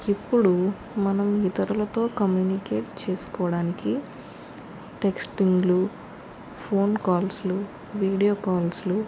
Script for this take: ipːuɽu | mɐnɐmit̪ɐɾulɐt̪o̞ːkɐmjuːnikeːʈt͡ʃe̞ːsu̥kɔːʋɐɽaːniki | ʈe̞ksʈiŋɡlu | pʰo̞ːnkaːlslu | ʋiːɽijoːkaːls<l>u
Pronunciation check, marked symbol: correct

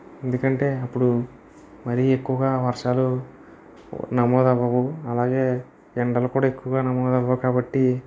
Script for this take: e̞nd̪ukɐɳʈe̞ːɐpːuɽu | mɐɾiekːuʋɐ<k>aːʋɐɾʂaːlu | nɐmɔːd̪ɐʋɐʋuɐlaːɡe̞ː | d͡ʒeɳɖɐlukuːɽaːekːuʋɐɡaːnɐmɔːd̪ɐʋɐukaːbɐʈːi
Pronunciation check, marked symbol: incorrect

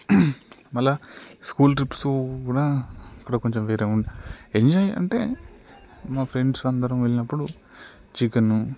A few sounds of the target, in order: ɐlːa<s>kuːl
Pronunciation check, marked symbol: correct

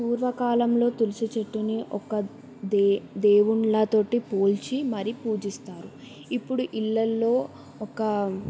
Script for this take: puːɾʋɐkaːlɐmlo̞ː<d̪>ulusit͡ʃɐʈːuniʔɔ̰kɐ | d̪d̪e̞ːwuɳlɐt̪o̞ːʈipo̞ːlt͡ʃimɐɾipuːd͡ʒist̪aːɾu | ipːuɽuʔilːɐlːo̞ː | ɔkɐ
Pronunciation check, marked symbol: incorrect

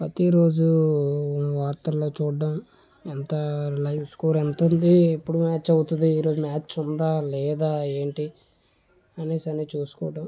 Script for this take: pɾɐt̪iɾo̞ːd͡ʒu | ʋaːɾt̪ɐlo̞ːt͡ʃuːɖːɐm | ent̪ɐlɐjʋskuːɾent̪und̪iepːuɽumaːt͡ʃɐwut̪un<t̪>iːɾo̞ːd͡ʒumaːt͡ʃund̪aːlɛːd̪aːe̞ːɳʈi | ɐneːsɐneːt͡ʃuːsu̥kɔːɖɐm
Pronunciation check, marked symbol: incorrect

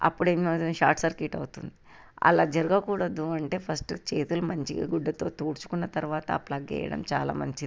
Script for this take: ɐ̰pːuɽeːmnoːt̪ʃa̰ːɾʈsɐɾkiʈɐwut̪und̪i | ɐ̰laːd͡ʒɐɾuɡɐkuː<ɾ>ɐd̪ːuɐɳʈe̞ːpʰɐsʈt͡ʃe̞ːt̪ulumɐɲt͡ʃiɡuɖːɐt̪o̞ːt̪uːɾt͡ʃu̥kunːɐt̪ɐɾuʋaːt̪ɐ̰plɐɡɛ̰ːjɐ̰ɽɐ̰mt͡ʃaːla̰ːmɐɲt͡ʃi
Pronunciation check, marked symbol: incorrect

